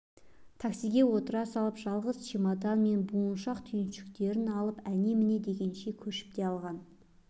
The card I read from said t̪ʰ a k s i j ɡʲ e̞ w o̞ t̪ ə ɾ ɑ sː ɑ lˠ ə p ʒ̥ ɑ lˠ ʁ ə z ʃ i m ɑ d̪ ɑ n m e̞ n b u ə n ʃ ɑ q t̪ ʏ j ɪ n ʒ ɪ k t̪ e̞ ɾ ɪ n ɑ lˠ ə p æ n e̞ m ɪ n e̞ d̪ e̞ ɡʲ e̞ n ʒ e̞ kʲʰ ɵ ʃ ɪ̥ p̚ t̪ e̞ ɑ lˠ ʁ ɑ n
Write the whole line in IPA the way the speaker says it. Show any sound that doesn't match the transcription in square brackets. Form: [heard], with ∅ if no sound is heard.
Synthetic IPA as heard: t̪ʰ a k s i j ɡʲ e̞ w o̞ t̪ ə ɾ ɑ [s] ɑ lˠ ə p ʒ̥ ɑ lˠ ʁ ə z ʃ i m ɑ d̪ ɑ n m e̞ n b u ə n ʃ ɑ q [t̪ʰ] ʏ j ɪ n [ʃ] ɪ k t̪ e̞ ɾ ɪ n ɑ lˠ ə p æ n e̞ m ɪ n e̞ d̪ e̞ ɡʲ e̞ n [ʃ] e̞ kʲʰ ɵ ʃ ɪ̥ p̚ t̪ e̞ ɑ lˠ ʁ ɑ n